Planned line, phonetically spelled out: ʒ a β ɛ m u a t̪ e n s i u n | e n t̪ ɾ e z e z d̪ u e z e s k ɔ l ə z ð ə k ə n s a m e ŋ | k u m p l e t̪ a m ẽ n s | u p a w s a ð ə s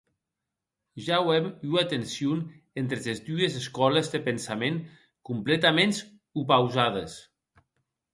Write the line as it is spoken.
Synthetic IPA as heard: ʒ a w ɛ m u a t̪ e n s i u n | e n t̪ ɾ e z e z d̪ u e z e s k ɔ l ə z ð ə p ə n s a m e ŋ | k u m p l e t̪ a m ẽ n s | u p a w z a ð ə s